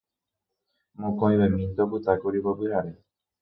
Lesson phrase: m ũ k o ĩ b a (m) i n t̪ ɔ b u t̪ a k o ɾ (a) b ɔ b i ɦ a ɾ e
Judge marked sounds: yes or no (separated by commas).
yes, no